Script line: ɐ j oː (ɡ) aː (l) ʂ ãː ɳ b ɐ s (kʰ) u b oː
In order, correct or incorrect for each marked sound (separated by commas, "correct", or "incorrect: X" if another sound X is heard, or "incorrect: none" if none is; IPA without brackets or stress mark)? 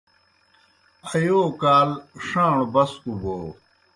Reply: incorrect: k, correct, incorrect: k